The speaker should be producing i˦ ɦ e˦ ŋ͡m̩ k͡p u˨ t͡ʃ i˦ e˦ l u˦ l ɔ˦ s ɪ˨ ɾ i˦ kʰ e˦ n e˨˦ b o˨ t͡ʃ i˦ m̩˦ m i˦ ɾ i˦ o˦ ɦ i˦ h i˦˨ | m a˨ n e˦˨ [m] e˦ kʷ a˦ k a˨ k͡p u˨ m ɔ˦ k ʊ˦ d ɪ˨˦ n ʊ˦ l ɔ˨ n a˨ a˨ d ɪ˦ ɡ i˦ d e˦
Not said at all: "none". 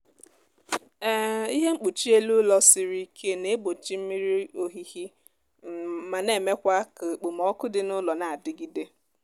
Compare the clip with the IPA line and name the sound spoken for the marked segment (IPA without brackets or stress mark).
m